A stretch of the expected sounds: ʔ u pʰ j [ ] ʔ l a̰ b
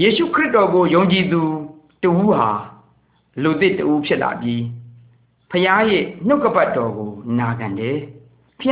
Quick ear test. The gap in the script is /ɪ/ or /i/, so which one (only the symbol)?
ɪ